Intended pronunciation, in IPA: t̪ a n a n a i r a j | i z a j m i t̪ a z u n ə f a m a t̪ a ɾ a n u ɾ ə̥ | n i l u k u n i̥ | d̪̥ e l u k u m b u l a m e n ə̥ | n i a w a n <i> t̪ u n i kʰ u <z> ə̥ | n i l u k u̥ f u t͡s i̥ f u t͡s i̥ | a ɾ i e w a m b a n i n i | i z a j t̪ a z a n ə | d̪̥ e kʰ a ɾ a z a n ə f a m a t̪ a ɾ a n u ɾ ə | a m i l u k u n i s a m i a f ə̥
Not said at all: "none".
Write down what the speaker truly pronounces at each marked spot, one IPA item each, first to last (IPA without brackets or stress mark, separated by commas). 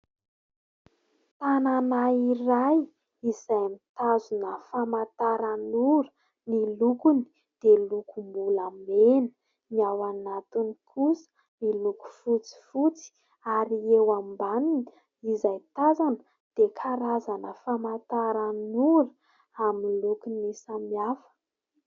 a, s